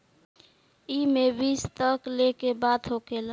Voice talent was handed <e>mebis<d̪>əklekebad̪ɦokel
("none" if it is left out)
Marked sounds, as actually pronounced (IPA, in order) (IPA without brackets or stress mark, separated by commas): i, t̪